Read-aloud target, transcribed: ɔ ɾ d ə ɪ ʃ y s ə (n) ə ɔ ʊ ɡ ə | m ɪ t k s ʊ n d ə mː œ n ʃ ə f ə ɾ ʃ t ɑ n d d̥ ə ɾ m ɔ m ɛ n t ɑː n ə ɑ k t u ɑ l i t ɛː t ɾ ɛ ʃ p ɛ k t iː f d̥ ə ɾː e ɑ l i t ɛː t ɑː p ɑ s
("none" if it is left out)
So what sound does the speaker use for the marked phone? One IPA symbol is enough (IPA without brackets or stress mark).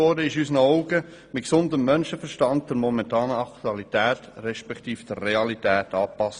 n